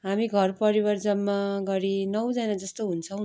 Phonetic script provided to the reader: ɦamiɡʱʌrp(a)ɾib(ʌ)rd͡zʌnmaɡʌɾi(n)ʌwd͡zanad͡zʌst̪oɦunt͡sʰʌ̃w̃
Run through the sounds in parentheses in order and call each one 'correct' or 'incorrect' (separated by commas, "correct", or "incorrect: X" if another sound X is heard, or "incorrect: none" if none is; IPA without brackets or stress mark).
incorrect: ʌ, correct, correct